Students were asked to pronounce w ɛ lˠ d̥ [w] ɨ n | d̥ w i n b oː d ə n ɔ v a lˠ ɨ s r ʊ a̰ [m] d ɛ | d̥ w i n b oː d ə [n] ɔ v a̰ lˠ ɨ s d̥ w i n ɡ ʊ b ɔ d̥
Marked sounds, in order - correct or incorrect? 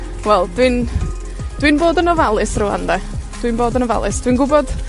correct, incorrect, correct

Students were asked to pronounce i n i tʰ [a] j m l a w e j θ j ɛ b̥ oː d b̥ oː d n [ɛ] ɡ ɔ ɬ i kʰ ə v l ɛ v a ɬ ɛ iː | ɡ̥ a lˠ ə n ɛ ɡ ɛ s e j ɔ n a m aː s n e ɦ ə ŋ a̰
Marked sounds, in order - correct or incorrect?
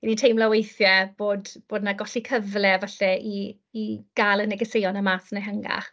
incorrect, incorrect

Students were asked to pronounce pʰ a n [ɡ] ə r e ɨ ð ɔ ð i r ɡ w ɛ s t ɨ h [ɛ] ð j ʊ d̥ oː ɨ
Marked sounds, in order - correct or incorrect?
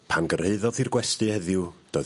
correct, correct

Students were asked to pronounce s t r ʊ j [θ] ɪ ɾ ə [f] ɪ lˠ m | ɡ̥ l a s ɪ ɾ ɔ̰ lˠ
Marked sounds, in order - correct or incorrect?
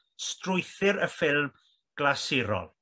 correct, correct

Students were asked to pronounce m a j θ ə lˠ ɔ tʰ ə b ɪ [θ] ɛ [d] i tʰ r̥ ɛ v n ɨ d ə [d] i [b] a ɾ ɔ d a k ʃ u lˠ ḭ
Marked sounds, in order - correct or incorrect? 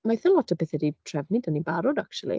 correct, correct, incorrect, correct

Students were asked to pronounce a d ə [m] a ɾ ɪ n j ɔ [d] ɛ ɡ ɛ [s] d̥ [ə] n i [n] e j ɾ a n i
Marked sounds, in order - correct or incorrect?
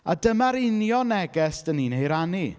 correct, incorrect, correct, correct, correct

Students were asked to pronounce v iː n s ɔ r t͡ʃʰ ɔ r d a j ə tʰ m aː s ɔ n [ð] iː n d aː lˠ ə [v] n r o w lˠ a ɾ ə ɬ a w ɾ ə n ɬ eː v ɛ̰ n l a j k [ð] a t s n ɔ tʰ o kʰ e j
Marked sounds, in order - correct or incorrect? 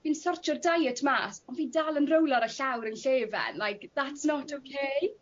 incorrect, incorrect, correct

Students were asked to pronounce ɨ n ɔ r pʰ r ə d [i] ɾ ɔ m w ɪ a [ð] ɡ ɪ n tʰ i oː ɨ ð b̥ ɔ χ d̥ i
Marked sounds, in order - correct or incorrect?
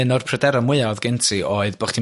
incorrect, correct

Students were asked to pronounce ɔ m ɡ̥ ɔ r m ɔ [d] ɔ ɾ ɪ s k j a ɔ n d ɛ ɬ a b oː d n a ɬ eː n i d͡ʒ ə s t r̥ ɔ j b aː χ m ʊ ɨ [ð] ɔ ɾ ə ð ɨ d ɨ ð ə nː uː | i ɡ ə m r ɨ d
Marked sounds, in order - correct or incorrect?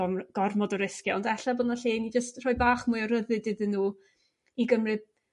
correct, incorrect

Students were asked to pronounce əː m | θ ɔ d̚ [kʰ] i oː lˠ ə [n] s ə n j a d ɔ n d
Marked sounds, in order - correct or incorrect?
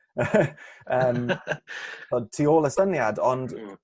incorrect, incorrect

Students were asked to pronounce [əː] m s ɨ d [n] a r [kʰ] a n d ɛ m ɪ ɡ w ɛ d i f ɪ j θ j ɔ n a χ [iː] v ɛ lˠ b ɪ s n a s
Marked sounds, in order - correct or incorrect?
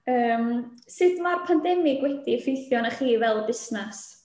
correct, incorrect, incorrect, correct

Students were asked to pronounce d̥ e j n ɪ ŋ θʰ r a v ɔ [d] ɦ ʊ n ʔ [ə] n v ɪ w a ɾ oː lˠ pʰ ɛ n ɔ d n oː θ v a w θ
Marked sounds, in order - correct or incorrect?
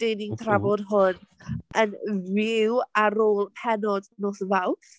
correct, correct

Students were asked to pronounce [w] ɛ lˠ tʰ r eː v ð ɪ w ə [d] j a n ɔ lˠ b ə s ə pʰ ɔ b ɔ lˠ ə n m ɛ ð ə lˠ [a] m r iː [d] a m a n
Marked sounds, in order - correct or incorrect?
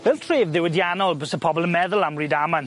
incorrect, correct, correct, correct

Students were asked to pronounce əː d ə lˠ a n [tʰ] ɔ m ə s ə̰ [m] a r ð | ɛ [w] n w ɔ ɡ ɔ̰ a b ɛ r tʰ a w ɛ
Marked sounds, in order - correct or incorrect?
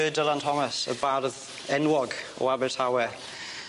correct, incorrect, incorrect

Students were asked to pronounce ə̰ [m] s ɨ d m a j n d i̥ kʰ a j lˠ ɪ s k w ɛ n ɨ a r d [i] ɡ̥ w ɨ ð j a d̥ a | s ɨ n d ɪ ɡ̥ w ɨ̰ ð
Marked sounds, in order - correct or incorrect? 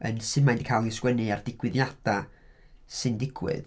incorrect, incorrect

